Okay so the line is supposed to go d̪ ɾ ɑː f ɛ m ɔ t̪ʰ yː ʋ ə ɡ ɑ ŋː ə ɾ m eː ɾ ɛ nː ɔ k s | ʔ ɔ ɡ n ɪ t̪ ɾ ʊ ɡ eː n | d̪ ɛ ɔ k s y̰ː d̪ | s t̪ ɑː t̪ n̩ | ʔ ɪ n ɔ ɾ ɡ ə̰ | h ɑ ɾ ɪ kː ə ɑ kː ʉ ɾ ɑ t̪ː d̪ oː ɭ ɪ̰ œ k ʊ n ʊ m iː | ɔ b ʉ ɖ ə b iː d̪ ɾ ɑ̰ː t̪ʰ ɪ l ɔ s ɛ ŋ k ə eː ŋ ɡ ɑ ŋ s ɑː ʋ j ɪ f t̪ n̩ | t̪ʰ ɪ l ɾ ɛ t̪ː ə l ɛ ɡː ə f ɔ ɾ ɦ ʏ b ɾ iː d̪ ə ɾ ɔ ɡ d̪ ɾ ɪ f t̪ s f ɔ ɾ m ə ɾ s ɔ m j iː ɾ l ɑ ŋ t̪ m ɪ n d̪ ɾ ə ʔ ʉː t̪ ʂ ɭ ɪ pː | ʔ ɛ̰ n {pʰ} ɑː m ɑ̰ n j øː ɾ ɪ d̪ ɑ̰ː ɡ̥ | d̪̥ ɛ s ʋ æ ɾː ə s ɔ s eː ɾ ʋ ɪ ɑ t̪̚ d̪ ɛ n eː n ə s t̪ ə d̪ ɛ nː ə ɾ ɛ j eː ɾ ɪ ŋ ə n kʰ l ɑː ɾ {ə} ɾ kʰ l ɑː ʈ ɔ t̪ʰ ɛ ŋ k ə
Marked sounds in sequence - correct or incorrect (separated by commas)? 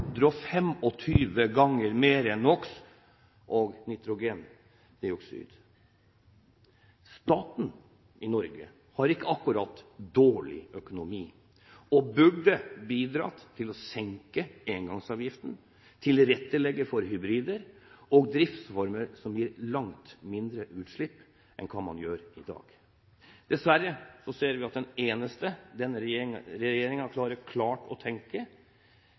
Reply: incorrect, correct